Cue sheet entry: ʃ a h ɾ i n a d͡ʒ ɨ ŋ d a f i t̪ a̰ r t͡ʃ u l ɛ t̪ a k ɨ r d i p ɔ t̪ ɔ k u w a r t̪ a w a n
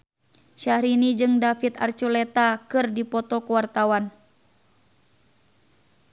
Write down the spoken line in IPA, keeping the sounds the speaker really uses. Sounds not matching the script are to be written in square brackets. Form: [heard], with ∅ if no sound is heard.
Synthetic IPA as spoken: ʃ a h ɾ i n [i] d͡ʒ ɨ ŋ d a f i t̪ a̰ r t͡ʃ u l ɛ t̪ a k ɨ r d i p ɔ t̪ ɔ k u w a r t̪ a w a n